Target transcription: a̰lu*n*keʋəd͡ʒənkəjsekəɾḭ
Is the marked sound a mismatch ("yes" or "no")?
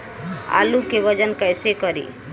yes